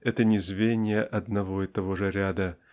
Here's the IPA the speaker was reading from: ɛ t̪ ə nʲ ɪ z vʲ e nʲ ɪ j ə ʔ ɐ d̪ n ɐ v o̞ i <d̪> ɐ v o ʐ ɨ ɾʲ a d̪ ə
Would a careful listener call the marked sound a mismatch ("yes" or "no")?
yes